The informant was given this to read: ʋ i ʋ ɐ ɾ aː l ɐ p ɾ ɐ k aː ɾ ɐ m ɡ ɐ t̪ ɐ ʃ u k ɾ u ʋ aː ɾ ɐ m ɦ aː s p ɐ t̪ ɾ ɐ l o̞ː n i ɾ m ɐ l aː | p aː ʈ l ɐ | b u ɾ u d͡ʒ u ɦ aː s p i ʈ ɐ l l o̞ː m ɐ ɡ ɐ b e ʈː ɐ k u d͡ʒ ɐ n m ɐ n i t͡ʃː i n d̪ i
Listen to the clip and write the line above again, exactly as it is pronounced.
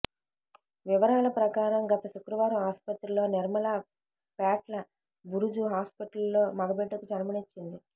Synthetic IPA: ʋ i ʋ ɐ ɾ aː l ɐ p ɾ ɐ k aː ɾ ɐ m ɡ ɐ t̪ ɐ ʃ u k ɾ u ʋ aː ɾ ɐ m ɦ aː s p ɐ t̪ ɾ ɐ l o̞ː n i ɾ m ɐ l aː | p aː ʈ l ɐ | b u ɾ u d͡ʒ u ɦ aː s p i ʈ ɐ l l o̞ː m ɐ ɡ ɐ b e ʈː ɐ k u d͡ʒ ɐ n m ɐ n i t͡ʃː i n d̪ i